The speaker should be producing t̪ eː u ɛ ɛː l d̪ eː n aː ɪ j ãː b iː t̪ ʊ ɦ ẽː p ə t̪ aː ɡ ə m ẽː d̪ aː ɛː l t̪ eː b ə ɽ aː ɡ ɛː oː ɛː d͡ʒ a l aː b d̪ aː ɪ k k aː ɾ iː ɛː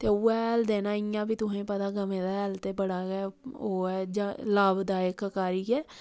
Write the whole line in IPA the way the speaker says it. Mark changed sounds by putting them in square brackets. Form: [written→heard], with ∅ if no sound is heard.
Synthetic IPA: t̪ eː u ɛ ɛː l d̪ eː n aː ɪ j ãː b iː t̪ ʊ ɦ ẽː p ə t̪ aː ɡ ə m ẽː d̪ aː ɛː l t̪ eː b ə ɽ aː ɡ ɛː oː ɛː d͡ʒ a l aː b d̪ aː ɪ k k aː ɾ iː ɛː